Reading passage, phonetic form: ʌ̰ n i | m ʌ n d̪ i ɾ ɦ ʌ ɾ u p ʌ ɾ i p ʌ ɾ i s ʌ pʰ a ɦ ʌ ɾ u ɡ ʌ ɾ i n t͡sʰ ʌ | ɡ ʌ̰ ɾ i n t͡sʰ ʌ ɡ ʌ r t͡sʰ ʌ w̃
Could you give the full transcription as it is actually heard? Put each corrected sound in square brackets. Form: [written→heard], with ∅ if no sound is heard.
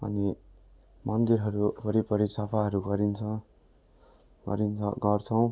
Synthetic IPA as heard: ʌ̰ n i | m ʌ n d̪ i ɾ ɦ ʌ ɾ u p ʌ ɾ i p ʌ ɾ i s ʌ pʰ a ɦ ʌ ɾ u ɡ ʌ ɾ i n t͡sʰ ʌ | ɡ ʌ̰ ɾ i n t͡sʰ ʌ ɡ ʌ r t͡sʰ ʌ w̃